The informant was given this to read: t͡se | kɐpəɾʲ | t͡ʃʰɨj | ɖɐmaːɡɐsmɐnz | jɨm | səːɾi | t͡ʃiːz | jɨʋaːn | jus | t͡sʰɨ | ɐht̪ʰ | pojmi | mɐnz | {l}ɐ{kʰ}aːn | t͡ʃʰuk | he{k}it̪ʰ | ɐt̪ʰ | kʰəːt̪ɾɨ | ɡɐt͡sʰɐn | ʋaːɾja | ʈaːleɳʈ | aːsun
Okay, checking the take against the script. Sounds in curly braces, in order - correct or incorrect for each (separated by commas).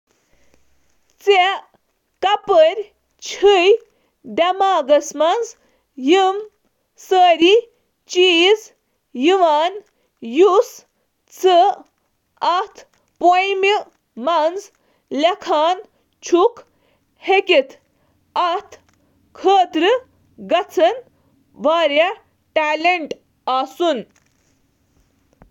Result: correct, correct, correct